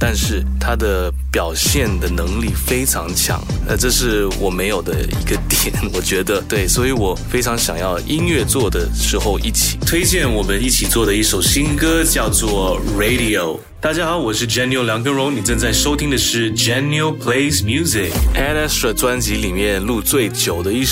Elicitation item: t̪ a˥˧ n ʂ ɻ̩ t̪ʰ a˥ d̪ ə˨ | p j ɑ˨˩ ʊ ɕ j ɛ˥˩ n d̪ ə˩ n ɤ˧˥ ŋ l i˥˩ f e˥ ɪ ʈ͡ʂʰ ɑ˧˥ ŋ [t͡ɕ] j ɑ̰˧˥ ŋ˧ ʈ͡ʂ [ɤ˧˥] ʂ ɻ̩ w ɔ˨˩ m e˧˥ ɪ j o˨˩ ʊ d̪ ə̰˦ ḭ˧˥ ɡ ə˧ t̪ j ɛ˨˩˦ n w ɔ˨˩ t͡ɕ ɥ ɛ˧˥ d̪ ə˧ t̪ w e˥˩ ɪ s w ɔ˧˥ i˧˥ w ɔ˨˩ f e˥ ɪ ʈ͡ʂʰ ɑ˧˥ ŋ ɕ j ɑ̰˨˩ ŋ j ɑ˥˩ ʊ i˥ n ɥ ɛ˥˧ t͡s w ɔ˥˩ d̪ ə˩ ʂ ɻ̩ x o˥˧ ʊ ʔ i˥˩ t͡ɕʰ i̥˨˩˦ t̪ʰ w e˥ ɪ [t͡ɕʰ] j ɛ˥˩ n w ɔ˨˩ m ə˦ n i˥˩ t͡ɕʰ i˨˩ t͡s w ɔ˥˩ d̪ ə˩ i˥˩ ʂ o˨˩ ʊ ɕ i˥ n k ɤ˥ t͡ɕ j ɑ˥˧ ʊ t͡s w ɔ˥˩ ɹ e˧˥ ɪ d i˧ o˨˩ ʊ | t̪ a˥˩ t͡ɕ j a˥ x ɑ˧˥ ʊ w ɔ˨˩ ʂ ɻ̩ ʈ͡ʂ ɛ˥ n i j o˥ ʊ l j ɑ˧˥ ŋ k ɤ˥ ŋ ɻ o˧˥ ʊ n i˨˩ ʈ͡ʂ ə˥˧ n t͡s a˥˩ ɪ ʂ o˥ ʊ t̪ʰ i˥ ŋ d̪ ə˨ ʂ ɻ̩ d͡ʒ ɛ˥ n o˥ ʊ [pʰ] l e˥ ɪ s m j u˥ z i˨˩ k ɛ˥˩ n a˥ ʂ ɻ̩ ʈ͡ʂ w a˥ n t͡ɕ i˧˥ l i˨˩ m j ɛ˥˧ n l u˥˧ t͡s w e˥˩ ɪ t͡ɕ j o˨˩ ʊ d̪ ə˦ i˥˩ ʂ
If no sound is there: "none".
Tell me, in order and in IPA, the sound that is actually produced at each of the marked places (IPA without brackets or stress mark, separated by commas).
t͡ɕʰ, ɤ˥˧, t͡ɕ, pʰ